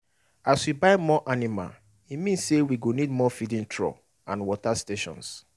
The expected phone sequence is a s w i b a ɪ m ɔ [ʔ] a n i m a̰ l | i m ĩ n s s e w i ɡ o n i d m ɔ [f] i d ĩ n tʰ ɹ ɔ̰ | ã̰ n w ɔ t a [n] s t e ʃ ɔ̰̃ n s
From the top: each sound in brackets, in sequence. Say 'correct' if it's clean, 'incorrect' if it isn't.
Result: correct, correct, incorrect: none

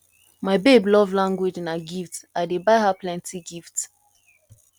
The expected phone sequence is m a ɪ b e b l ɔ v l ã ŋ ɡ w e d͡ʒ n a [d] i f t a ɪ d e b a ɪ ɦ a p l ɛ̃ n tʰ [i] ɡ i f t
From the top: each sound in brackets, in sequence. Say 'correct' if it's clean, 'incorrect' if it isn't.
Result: incorrect: ɡ, correct

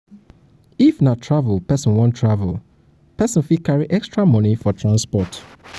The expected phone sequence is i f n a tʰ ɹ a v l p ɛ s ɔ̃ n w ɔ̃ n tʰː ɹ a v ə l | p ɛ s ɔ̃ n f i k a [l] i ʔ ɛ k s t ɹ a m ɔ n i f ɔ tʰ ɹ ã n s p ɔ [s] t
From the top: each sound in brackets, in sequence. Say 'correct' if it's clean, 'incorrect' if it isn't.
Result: incorrect: ɹ, incorrect: none

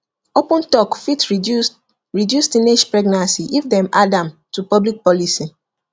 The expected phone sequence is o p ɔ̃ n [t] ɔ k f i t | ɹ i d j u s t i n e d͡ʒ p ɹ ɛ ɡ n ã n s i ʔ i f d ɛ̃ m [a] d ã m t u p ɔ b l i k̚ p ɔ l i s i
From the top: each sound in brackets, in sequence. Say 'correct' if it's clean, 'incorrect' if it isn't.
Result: correct, correct

